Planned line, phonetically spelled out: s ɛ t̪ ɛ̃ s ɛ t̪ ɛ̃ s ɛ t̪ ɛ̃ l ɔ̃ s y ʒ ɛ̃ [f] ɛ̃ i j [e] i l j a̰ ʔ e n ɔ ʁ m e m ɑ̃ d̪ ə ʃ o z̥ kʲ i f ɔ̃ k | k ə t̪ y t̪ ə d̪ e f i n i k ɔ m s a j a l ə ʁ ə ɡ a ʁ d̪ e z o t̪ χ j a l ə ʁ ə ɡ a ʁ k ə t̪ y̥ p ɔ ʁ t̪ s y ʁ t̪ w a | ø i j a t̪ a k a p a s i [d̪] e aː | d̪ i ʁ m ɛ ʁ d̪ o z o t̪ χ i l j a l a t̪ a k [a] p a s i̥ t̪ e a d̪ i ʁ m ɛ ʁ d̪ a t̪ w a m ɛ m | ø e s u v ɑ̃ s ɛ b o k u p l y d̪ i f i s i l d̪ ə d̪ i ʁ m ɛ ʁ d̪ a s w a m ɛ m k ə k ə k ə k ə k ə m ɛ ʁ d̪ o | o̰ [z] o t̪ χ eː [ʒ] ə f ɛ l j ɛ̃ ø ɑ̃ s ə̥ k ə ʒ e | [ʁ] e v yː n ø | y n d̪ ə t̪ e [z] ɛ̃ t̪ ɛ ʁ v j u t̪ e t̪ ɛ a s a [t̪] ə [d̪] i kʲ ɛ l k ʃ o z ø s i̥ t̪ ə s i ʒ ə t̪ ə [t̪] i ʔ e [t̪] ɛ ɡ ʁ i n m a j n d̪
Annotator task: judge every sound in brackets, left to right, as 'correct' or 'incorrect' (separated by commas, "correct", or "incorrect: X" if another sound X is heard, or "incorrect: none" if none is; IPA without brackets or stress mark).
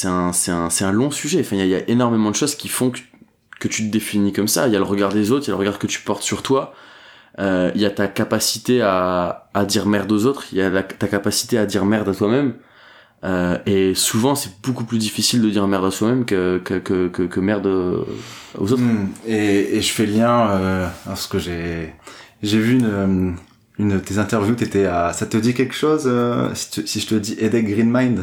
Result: correct, incorrect: a, incorrect: t̪, correct, correct, correct, incorrect: ʒ, correct, correct, correct, incorrect: d̪, incorrect: d̪